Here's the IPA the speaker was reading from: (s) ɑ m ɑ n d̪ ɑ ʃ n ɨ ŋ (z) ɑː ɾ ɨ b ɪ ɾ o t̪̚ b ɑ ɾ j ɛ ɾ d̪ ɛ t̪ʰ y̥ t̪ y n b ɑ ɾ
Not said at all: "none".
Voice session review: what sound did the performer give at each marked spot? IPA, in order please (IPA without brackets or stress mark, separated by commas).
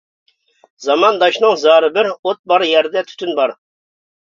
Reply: z, z